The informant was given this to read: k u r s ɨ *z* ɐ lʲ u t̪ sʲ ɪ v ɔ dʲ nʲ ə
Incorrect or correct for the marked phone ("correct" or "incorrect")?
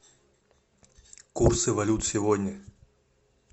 incorrect